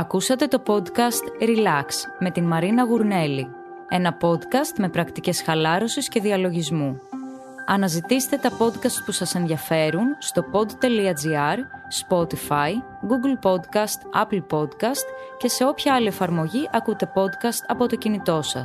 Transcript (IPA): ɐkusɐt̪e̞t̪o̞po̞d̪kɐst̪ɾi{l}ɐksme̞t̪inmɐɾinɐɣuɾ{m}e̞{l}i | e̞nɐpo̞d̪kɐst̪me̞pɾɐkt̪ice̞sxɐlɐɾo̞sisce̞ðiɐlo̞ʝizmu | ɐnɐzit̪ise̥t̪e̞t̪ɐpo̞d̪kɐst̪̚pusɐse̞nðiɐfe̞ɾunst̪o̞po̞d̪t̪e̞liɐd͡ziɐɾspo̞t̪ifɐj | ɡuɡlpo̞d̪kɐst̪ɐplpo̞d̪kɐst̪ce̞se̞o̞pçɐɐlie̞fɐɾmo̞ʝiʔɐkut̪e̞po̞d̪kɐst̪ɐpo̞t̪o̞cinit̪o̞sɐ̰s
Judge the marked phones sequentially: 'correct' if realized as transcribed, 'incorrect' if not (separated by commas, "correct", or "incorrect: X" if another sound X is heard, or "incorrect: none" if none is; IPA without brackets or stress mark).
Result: correct, incorrect: n, correct